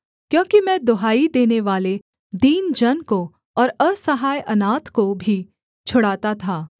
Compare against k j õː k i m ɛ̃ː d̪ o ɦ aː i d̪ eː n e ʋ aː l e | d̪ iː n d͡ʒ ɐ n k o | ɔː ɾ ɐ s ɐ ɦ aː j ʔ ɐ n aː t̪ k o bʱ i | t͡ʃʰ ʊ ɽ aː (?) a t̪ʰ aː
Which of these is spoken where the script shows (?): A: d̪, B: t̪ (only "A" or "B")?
B